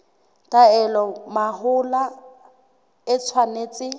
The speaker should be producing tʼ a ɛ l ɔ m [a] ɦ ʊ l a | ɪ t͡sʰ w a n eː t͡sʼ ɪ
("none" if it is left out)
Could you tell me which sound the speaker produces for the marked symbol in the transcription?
a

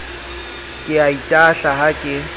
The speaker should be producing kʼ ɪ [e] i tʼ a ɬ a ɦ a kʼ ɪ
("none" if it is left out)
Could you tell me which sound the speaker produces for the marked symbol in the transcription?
a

